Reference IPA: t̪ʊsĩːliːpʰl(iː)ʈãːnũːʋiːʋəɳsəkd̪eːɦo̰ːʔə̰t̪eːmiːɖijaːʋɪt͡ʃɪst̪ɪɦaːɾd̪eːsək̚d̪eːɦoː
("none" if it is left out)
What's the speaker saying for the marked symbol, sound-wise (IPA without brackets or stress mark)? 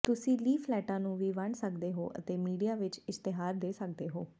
ɛː